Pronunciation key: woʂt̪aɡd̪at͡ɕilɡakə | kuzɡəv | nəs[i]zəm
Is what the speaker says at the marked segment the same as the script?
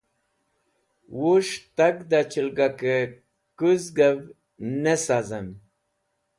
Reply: no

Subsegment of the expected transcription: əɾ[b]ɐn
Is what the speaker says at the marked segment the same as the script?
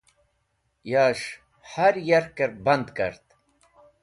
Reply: yes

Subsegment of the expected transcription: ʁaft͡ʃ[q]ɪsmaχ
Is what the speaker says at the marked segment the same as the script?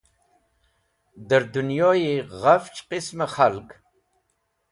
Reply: yes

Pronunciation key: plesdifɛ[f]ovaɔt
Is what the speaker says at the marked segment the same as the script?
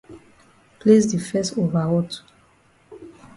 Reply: no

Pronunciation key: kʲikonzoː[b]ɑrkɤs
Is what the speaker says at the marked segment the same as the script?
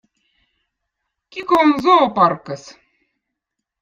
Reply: no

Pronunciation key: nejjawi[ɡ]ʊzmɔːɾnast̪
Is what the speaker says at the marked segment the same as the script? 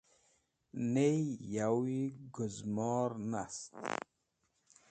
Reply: yes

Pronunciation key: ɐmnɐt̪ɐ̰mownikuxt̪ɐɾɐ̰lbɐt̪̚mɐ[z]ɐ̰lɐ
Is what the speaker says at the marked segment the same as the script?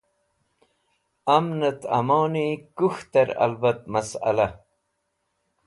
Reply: no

